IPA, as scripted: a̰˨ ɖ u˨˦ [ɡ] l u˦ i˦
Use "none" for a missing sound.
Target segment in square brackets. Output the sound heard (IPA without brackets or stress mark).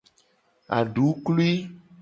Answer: k